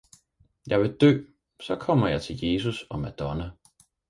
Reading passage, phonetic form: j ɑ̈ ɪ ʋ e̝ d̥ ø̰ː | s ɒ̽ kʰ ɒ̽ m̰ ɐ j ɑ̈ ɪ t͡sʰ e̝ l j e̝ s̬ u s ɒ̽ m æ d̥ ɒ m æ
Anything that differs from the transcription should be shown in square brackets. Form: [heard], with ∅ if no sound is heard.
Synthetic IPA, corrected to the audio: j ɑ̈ ɪ ʋ e̝ d̥ ø̰ː | s ɒ̽ kʰ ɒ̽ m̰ ɐ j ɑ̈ ɪ t͡sʰ e̝ l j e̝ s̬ u s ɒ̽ m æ d̥ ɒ [n] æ